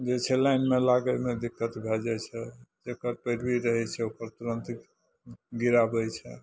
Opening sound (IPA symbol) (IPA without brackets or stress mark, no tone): d͡ʒ